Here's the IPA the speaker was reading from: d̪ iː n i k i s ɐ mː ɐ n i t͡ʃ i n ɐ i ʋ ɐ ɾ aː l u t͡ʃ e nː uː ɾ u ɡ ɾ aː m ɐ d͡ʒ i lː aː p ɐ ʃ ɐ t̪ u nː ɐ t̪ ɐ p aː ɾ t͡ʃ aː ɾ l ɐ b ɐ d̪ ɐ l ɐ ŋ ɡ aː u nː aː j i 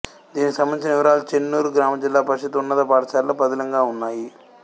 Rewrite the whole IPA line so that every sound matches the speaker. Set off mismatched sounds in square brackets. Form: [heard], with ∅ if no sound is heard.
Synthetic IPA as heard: d̪ iː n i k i s ɐ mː ɐ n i t͡ʃ i n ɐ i ʋ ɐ ɾ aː l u t͡ʃ e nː uː ɾ u ɡ ɾ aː m ɐ d͡ʒ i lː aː p ɐ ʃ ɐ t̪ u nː ɐ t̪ ɐ p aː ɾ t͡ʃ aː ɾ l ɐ b ɐ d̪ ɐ l ɐ ŋ ɡ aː u nː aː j i